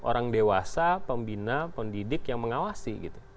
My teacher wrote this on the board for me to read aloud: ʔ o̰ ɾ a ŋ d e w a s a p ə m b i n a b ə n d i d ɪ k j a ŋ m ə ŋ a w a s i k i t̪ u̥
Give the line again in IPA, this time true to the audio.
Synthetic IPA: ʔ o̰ ɾ a ŋ d e w a s a p ə m b i n a p ə n d i d ɪ k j a ŋ m ə ŋ a w a s i ɡ i t̪ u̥